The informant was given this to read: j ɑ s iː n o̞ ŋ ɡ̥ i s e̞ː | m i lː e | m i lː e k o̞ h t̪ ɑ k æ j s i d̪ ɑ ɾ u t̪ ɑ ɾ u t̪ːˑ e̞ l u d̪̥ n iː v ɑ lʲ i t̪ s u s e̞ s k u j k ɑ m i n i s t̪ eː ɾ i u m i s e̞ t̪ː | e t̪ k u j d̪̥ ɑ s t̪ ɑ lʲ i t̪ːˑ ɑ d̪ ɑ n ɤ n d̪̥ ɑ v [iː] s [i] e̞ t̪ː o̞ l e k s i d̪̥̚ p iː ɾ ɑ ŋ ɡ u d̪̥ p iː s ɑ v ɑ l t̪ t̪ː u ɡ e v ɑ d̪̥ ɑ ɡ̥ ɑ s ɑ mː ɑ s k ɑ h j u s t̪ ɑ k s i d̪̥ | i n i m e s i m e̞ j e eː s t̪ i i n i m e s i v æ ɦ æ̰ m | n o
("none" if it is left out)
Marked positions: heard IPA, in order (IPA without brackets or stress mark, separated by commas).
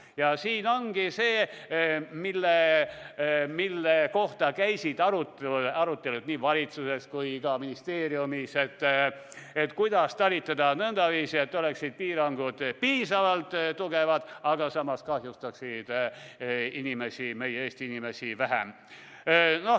iː, i